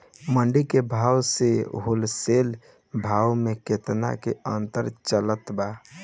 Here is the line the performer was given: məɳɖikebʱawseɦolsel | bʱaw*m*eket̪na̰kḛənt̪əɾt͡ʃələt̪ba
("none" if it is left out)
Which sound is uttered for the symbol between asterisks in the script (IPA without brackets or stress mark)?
m